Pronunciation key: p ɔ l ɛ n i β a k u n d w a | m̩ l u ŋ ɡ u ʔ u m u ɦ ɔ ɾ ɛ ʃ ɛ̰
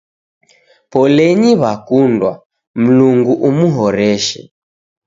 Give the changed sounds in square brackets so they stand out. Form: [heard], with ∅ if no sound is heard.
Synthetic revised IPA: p ɔ l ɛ [ɲ] i β a k u n d w a | m̩ l u ŋ ɡ u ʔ u m u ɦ ɔ ɾ ɛ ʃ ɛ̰